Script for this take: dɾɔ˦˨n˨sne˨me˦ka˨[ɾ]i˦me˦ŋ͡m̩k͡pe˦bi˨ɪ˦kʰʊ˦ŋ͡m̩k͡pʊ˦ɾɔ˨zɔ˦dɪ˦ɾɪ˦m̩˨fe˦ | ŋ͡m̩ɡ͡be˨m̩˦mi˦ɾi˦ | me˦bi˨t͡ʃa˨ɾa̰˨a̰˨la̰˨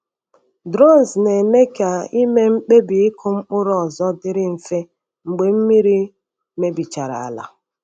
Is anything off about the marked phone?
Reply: yes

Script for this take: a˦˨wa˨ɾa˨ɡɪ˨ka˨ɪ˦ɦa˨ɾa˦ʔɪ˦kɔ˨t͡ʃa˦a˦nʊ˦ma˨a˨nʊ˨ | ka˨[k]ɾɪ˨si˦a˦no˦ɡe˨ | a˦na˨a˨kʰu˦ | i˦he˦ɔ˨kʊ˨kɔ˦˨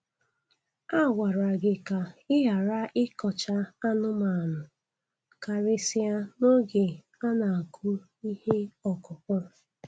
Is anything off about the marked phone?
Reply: yes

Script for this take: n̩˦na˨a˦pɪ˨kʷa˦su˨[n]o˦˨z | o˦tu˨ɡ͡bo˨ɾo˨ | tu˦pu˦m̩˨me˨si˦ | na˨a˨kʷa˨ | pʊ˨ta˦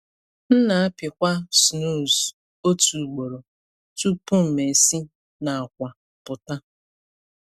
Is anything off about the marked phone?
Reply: no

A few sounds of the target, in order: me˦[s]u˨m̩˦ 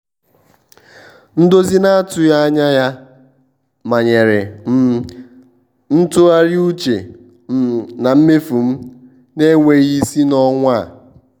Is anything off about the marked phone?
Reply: yes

